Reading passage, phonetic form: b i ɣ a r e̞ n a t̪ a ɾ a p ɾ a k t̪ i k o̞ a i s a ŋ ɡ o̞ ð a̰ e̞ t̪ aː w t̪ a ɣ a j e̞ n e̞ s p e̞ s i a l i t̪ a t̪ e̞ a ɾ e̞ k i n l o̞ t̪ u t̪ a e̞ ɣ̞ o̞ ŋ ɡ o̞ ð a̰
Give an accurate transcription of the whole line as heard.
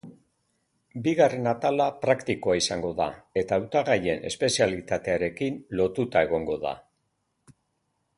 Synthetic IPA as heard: b i ɣ a r e̞ n a t̪ a l a p ɾ a k t̪ i k o̞ a i s a ŋ ɡ o̞ ð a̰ e̞ t̪ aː w t̪ a ɣ a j e̞ n e̞ s p e̞ s i a l i t̪ a t̪ e̞ a ɾ e̞ k i n l o̞ t̪ u t̪ a e̞ ɣ̞ o̞ ŋ ɡ o̞ ð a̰